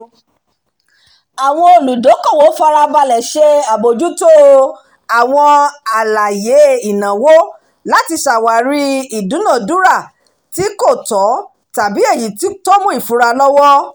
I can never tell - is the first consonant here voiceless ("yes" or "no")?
no